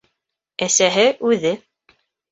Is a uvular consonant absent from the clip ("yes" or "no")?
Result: yes